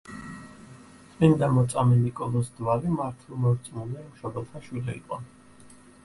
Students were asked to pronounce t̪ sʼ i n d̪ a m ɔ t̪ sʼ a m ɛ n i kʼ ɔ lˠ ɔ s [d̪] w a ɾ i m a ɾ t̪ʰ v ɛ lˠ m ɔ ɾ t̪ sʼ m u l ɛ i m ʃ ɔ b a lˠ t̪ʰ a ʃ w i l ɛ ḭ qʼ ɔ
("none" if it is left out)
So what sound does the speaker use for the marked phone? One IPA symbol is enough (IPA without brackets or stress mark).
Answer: d̪